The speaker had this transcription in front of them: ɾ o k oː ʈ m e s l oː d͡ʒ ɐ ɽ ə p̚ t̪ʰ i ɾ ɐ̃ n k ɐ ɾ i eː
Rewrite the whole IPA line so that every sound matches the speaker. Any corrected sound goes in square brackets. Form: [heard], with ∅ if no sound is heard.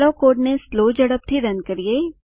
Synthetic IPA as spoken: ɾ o k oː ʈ [n] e s l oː d͡ʒ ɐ ɽ ə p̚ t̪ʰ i ɾ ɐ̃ n k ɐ ɾ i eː